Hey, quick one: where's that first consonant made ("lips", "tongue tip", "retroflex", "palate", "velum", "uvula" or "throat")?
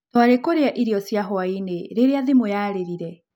tongue tip